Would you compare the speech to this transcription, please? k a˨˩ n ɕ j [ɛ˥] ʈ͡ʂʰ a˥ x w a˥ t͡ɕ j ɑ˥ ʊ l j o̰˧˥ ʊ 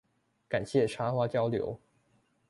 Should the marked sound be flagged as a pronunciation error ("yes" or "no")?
yes